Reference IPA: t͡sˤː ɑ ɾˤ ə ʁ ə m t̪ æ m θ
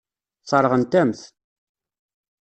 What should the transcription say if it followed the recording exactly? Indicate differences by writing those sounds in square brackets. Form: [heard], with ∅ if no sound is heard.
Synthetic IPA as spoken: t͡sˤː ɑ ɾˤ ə ʁ ə [n] t̪ æ m θ